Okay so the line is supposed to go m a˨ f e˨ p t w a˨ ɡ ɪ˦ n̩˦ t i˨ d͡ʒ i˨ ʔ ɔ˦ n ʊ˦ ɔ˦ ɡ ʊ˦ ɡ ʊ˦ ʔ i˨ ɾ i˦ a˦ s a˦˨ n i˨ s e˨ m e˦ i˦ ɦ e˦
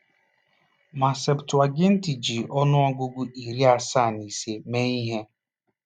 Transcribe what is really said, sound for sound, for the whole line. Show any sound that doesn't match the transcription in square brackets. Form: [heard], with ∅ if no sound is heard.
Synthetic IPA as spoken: m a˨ [s] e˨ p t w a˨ ɡ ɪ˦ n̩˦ t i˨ d͡ʒ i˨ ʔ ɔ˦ n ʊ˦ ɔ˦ ɡ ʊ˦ ɡ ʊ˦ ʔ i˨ ɾ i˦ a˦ s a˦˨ n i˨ s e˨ m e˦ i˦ ɦ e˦